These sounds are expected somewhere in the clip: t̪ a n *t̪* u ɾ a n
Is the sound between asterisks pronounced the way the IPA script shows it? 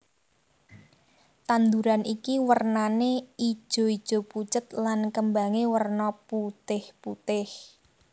no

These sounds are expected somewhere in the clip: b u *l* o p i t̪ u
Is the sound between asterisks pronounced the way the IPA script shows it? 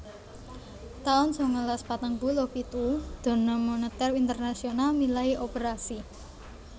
yes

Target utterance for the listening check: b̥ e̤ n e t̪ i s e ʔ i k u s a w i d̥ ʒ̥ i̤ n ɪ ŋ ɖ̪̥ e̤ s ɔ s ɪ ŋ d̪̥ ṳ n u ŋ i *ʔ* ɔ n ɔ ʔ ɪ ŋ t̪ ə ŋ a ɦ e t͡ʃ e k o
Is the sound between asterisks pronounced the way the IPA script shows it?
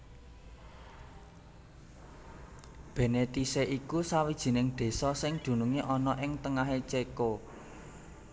yes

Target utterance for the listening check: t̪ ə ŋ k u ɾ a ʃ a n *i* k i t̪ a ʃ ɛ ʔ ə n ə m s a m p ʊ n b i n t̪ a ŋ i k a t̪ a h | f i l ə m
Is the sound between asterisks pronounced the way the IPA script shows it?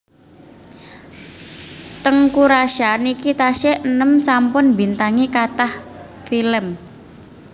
yes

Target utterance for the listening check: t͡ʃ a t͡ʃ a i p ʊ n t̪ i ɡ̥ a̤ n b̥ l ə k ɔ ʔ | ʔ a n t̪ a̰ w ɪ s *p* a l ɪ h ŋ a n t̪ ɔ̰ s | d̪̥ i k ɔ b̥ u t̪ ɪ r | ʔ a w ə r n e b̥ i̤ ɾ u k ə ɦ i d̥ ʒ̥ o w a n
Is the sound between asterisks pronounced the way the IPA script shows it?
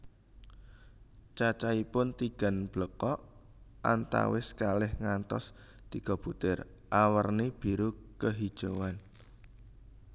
no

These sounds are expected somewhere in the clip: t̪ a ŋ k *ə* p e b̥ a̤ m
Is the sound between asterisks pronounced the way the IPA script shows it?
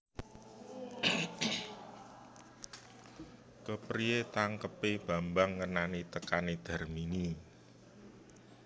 yes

